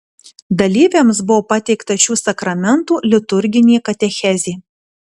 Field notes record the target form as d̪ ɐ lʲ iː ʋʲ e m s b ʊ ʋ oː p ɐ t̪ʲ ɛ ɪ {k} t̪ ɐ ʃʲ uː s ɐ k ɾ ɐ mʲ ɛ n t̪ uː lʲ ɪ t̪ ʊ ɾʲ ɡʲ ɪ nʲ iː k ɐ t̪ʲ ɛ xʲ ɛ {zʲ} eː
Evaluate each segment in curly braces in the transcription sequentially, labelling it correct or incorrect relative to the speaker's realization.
correct, correct

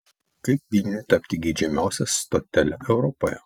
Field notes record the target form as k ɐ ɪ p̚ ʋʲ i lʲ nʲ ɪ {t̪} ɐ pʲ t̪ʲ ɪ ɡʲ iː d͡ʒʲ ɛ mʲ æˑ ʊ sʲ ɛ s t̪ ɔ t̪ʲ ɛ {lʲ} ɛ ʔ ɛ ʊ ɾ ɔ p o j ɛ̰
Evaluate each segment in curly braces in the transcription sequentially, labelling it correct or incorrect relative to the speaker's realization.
correct, correct

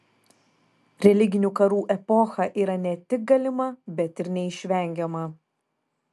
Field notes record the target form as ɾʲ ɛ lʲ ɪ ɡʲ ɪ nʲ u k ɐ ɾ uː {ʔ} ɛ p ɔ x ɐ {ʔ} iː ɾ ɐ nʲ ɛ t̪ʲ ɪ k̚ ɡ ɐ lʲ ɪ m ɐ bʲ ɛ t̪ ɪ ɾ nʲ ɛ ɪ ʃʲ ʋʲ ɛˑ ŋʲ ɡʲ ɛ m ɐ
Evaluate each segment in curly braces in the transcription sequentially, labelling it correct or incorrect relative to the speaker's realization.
correct, correct

